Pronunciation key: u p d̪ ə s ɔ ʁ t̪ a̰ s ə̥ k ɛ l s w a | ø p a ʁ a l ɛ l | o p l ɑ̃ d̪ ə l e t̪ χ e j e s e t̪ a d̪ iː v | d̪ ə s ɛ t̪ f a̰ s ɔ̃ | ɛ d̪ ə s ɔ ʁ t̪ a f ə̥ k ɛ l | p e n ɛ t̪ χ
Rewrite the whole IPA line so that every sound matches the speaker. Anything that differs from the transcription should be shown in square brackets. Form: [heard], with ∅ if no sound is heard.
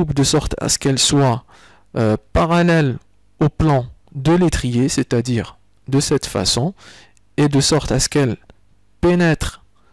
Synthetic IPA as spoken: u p d̪ ə s ɔ ʁ t̪ a̰ s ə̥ k ɛ l s w a | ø p a ʁ a l ɛ l | o p l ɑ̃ d̪ ə l e t̪ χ [i] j e s e t̪ a d̪ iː [ʁ] | d̪ ə s ɛ t̪ f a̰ s ɔ̃ | [e] d̪ ə s ɔ ʁ t̪ a [s] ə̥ k ɛ l | p e n ɛ t̪ χ